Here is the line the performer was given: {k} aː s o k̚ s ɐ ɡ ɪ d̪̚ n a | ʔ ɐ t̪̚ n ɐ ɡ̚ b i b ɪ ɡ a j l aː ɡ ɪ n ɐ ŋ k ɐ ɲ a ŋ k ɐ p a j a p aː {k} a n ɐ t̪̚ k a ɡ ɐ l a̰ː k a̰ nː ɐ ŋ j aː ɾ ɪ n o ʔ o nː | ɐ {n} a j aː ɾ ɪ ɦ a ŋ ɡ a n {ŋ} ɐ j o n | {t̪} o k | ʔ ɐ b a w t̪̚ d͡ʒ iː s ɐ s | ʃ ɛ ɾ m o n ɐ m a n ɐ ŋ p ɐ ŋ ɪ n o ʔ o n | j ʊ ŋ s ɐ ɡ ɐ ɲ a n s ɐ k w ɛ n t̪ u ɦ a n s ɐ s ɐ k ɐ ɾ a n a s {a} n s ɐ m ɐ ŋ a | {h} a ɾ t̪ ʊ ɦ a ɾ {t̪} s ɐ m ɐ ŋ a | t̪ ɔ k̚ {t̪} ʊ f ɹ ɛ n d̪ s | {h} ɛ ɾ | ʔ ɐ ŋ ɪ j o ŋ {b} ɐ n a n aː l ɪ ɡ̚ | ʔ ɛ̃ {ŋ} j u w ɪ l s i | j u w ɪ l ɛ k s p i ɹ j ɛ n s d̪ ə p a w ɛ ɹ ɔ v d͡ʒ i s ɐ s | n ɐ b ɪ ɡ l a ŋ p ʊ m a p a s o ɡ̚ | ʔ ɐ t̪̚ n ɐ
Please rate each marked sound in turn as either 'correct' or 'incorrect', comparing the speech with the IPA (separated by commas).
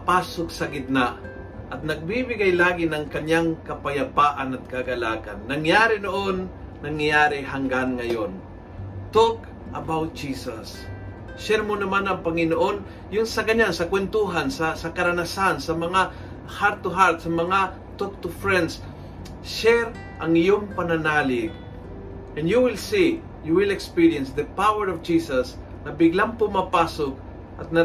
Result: incorrect, incorrect, incorrect, correct, correct, correct, correct, correct, correct, incorrect, incorrect, incorrect